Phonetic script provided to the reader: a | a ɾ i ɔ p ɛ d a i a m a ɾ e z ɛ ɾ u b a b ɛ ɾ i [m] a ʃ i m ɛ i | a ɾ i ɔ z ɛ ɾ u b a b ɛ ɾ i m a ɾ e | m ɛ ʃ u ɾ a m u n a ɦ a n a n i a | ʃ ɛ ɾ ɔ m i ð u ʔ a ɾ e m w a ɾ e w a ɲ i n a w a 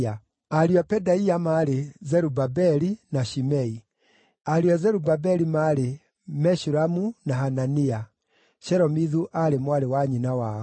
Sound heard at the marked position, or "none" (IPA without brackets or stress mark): n